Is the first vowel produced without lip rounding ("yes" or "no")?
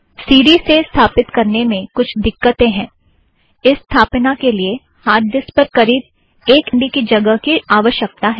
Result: yes